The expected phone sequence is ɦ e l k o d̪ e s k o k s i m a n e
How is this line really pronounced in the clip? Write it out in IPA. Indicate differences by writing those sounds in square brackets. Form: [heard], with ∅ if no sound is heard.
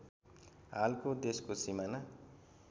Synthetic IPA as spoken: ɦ [a] l k o d̪ e s k o [∅] s i m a n [a]